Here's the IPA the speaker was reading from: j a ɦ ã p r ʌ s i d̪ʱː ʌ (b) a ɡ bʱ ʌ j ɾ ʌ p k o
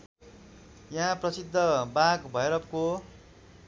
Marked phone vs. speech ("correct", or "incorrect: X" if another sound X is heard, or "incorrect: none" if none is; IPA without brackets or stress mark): correct